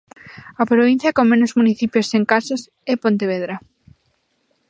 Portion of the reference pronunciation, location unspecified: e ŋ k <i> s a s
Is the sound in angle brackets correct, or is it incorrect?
incorrect